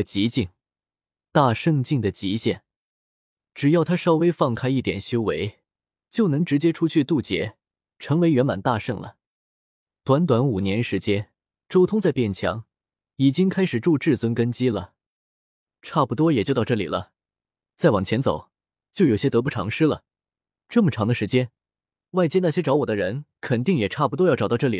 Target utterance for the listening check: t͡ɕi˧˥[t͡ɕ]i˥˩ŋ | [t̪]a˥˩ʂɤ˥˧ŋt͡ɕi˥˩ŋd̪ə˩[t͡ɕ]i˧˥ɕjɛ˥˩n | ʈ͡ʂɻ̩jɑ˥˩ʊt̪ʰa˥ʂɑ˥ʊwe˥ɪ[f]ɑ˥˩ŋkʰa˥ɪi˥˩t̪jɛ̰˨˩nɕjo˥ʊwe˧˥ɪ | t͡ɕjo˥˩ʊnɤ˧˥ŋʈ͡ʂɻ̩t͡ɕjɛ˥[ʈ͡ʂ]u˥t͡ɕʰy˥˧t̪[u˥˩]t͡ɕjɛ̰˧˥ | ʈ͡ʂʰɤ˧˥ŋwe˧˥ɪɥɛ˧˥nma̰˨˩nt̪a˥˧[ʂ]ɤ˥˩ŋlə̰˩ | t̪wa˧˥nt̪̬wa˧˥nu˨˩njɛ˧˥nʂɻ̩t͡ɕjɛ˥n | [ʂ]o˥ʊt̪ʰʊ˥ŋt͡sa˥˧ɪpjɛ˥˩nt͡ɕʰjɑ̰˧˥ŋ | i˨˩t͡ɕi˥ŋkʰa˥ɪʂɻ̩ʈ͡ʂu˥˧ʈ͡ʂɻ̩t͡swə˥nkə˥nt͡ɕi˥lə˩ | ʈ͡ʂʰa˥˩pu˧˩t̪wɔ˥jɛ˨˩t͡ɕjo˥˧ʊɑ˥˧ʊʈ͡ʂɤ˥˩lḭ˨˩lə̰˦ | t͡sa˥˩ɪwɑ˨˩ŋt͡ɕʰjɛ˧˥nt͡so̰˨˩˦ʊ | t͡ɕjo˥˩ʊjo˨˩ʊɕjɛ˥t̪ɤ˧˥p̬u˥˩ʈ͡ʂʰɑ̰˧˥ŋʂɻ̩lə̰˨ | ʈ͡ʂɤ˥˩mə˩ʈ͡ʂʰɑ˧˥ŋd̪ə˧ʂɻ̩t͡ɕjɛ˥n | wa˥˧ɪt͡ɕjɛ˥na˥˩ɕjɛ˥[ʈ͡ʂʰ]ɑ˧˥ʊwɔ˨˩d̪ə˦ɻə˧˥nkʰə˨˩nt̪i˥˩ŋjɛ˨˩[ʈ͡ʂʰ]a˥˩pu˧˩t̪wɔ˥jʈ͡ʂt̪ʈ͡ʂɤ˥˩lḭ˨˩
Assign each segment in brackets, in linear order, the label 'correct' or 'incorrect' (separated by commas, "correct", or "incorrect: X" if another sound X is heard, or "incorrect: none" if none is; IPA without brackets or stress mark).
correct, correct, correct, correct, incorrect: ʈ͡ʂʰ, correct, correct, incorrect: ʈ͡ʂ, incorrect: ʈ͡ʂ, correct